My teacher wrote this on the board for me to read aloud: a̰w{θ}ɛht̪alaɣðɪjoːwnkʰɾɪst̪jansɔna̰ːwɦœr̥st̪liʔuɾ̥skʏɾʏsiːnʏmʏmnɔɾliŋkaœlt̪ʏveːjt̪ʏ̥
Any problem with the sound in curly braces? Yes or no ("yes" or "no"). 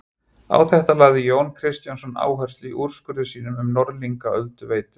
no